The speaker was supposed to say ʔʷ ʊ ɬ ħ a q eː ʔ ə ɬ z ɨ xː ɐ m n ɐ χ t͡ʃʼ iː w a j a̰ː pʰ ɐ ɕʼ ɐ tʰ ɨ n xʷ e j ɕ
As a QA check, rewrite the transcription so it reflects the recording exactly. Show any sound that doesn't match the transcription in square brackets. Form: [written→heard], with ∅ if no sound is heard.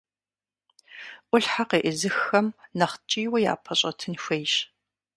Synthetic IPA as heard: ʔʷ ʊ ɬ ħ a q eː ʔ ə [ɬ→∅] z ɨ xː ɐ m n ɐ χ t͡ʃʼ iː w [a→ɐ] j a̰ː pʰ ɐ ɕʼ ɐ tʰ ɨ n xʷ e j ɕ